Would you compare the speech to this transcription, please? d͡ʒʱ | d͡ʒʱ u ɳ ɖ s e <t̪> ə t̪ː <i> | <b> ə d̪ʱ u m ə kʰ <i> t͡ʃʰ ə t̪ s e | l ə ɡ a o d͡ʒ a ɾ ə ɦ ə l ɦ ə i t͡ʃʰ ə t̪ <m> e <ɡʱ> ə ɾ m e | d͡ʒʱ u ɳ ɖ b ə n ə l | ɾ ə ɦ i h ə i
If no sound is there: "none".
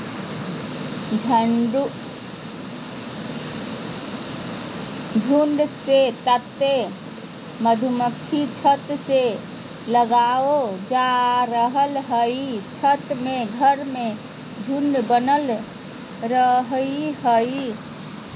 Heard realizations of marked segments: t̪, e, m, i, m, ɡʱ

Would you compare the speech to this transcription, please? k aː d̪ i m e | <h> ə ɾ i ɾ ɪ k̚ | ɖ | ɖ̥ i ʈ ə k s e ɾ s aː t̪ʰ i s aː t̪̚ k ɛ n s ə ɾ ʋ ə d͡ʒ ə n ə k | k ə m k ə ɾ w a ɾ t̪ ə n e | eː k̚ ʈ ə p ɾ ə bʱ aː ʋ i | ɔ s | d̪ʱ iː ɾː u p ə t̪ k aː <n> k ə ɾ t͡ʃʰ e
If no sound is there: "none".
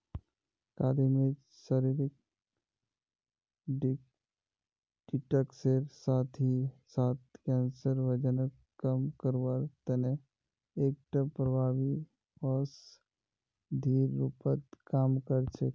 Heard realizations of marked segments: s, m

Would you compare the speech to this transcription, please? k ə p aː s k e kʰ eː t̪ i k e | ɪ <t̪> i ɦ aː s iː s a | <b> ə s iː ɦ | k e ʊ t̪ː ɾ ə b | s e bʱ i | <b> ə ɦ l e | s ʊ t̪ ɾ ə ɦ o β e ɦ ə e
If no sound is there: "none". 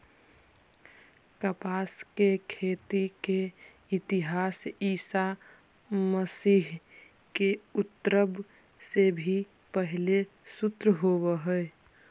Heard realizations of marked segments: t̪, m, p

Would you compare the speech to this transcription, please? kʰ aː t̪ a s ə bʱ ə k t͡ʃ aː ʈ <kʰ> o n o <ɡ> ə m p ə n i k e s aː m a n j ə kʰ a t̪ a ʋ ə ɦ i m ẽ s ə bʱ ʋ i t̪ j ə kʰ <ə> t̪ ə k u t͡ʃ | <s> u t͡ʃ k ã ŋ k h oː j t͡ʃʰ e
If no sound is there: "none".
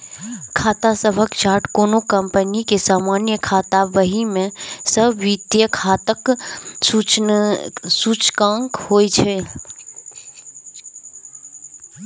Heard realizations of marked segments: k, k, a, s

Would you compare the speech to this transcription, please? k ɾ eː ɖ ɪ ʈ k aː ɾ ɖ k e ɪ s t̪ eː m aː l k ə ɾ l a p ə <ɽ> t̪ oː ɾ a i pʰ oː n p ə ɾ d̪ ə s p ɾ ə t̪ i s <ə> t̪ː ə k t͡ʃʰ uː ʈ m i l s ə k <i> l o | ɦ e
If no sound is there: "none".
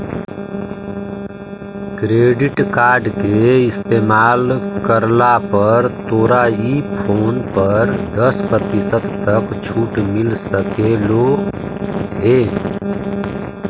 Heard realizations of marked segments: ɾ, ə, e

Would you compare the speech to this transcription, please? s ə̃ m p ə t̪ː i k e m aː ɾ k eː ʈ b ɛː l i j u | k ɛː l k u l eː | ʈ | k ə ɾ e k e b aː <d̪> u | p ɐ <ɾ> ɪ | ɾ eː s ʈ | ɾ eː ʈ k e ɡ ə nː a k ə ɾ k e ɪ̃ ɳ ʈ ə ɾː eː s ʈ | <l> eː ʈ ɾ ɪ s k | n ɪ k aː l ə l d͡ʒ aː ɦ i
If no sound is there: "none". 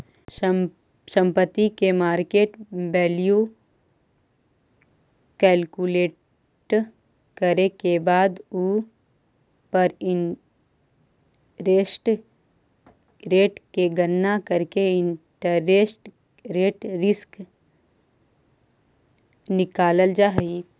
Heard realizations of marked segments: d̪, ɾ, ɾ

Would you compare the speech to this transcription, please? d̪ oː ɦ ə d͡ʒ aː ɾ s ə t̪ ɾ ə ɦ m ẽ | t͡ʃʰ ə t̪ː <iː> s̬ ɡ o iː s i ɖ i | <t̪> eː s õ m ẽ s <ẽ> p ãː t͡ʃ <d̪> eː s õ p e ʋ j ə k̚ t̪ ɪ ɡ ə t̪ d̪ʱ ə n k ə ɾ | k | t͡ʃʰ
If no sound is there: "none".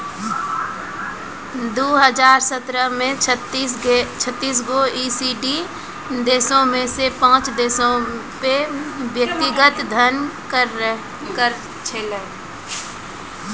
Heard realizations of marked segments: iː, d̪, e, d̪

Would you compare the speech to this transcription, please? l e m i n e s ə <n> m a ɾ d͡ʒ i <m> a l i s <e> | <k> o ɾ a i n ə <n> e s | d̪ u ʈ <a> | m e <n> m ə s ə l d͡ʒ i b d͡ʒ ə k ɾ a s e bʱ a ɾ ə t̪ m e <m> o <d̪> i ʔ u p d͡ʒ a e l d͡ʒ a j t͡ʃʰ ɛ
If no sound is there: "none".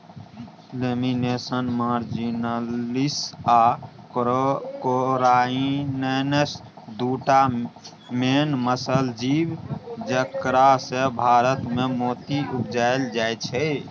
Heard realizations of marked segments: n, n, a, k, n, a, n, m, t̪

